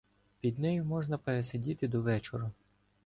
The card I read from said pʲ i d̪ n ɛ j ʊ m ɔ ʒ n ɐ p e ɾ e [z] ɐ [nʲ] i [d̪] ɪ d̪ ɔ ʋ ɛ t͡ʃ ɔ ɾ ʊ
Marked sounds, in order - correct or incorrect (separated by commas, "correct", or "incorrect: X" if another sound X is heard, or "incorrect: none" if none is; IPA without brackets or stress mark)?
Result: incorrect: s, incorrect: dʲ, incorrect: t̪